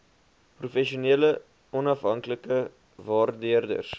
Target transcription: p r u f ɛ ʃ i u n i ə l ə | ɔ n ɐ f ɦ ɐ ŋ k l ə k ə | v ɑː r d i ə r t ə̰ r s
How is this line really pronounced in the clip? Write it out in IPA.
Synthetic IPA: p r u f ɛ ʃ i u n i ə l ə | ɔ n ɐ f ɦ ɐ ŋ k l ə k ə | v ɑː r d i ə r d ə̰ r s